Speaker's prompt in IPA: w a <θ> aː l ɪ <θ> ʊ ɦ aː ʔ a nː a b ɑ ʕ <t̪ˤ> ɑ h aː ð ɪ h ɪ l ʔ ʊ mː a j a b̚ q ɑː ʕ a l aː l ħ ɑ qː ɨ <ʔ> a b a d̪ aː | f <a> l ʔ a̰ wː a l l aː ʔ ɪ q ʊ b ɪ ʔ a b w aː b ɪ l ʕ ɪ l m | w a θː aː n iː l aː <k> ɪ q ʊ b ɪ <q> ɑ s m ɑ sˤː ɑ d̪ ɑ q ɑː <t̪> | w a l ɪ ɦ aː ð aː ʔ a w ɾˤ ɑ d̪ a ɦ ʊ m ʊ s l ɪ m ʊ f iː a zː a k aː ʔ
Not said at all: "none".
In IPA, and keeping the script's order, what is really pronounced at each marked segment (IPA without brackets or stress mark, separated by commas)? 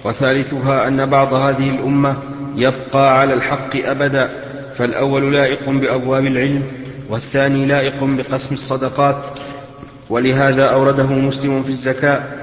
θ, θ, d̪ˤ, ʔ, a, ʔ, q, t̪